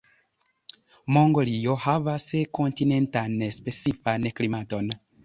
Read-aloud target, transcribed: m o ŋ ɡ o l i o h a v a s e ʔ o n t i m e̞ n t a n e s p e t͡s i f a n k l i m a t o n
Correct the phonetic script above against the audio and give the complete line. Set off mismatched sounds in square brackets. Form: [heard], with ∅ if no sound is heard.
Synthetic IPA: m o ŋ ɡ o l i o h a v a s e [k] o n t i [n] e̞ n t a n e s p e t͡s i f a n k l i m a t o n